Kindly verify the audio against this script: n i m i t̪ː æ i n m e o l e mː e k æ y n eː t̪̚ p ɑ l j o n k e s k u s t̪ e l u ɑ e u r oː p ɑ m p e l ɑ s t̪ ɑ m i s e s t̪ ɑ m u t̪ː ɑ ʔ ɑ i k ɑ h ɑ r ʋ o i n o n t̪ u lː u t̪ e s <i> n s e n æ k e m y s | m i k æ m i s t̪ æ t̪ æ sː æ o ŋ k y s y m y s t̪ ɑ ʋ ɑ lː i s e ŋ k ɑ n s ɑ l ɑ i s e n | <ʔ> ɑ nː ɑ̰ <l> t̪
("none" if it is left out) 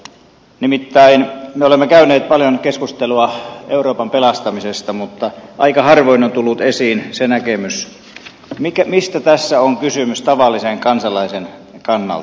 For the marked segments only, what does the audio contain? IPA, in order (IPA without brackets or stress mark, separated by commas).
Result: iː, k, l